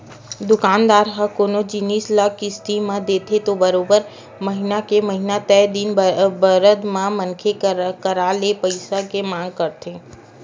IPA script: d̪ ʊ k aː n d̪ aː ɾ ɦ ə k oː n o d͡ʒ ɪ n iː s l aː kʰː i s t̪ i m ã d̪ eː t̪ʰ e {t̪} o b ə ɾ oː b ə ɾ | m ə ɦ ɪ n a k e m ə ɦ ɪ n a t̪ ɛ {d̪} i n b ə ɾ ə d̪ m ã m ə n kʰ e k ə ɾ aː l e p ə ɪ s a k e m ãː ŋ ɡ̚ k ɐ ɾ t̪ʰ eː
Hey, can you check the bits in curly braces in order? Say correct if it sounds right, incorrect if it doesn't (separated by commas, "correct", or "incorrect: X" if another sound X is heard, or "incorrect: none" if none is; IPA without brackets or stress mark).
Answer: correct, correct